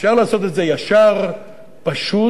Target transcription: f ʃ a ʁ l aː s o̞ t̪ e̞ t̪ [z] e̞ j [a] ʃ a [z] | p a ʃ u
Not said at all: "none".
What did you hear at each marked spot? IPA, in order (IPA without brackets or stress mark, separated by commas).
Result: z, a, ʁ